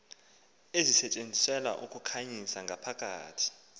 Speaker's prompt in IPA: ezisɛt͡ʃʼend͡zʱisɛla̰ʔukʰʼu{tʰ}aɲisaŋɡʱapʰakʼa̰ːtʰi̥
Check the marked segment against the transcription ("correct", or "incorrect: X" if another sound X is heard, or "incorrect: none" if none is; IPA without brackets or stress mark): incorrect: kʰ